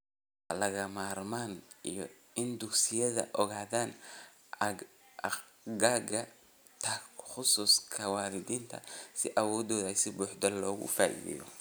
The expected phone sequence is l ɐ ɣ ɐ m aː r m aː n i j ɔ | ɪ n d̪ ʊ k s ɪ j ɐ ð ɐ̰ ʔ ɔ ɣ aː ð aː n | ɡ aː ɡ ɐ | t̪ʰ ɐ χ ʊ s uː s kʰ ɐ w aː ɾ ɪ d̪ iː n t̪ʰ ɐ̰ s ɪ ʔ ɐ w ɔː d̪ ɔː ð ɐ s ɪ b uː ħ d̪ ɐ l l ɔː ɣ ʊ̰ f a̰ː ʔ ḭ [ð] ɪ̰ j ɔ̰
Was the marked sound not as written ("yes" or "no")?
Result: no